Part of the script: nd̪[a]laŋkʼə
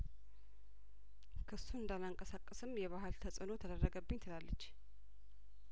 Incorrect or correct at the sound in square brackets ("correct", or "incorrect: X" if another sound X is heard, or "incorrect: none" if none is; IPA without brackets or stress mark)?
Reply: correct